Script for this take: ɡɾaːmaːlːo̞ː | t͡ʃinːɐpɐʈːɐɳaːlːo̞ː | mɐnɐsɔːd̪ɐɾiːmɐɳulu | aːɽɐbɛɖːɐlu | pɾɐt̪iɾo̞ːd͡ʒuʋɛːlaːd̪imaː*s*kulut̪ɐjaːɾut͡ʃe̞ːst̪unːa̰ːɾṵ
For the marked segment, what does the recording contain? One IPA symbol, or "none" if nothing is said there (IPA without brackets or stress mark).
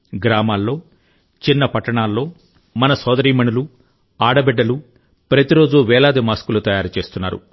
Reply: s